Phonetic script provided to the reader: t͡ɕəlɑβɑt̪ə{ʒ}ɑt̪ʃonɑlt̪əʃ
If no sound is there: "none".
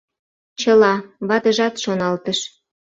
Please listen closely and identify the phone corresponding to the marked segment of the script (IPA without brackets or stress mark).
ʒ